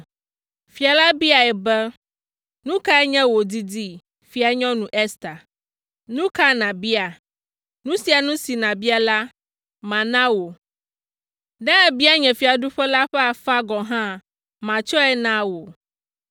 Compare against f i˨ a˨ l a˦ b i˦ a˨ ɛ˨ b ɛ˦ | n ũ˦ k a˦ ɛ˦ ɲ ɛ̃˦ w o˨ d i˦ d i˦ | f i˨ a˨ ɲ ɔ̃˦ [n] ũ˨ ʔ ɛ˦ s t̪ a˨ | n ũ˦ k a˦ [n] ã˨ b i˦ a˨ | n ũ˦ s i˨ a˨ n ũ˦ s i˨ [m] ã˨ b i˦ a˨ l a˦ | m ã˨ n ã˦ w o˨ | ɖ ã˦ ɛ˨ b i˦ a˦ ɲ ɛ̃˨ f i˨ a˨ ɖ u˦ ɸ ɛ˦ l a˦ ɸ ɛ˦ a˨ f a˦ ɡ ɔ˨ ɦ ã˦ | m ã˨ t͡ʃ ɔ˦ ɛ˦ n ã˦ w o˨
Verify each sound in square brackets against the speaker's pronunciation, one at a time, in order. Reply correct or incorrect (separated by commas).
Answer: correct, correct, incorrect